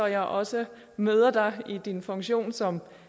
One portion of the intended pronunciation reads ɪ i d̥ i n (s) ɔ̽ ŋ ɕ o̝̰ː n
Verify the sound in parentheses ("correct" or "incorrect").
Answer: incorrect